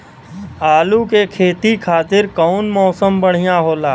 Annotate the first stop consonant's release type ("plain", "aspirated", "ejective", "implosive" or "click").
plain